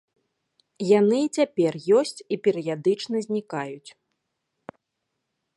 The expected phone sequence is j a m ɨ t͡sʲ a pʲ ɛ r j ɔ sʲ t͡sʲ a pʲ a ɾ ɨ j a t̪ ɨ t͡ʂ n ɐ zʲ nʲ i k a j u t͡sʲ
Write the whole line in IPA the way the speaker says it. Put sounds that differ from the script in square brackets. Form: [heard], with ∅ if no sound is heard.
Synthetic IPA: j a [n] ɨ t͡sʲ a pʲ ɛ r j ɔ sʲ t͡sʲ [i] pʲ [ɛ] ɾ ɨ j a [d̪] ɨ t͡ʂ n ɐ zʲ nʲ i k a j u t͡sʲ